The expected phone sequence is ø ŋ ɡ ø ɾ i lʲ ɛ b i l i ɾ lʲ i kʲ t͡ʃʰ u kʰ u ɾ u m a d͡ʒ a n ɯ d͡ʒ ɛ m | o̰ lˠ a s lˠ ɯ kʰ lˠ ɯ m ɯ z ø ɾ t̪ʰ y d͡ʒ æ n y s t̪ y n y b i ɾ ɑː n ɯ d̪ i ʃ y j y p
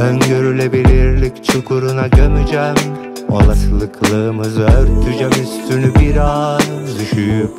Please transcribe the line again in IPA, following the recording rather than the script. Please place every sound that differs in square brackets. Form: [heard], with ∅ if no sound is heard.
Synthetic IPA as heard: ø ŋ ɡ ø ɾ [y] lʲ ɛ b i l i ɾ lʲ i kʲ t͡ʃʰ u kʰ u ɾ u [n] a d͡ʒ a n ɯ d͡ʒ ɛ m | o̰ lˠ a s lˠ ɯ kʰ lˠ ɯ m ɯ z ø ɾ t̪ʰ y d͡ʒ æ [m] y s t̪ y n y b i ɾ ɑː n ɯ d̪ [y] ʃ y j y p